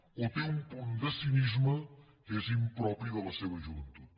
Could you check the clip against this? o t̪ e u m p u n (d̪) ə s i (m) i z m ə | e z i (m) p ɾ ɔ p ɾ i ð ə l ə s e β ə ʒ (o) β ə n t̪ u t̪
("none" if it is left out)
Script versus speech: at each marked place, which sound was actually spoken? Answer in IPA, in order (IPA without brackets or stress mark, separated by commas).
d̪, n, m, u